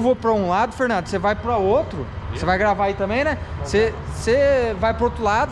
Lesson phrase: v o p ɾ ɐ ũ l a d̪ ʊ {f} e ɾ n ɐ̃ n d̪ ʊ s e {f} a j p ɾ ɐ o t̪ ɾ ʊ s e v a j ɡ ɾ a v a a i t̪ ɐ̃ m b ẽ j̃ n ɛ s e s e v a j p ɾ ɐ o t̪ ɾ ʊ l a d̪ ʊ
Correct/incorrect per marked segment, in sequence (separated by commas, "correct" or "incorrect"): correct, incorrect